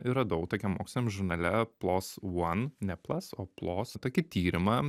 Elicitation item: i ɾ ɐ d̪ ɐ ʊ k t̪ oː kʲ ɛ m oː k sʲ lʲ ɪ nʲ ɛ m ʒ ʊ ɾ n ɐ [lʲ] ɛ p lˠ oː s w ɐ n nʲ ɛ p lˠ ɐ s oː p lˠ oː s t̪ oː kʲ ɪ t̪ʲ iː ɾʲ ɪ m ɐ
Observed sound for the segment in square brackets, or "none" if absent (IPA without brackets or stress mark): lʲ